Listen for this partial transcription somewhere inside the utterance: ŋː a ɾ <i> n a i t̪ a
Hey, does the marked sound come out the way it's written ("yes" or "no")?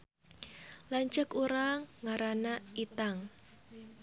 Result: no